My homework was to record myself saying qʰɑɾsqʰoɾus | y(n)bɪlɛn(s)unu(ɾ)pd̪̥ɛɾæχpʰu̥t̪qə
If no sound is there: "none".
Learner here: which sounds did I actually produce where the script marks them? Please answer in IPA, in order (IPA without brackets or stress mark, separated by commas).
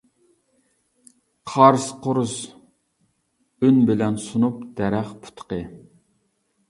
n, s, none